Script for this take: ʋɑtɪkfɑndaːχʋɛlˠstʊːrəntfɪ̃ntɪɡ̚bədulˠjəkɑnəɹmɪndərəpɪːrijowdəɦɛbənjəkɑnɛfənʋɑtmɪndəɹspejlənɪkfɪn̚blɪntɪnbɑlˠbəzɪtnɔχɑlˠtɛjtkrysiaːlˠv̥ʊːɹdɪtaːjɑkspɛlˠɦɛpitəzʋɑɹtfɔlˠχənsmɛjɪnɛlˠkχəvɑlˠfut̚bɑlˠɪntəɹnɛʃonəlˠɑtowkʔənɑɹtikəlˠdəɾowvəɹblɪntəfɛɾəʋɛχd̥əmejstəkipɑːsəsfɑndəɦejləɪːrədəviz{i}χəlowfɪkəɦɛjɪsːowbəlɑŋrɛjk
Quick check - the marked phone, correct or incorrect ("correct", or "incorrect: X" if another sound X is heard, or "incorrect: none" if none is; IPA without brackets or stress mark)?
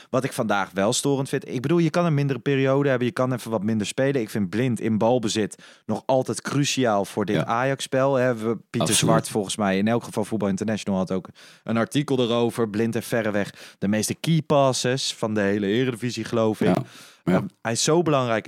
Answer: correct